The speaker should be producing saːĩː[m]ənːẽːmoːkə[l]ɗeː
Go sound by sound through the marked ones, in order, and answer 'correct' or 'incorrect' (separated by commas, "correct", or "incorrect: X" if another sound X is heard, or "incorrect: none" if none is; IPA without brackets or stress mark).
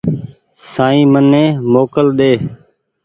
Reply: correct, correct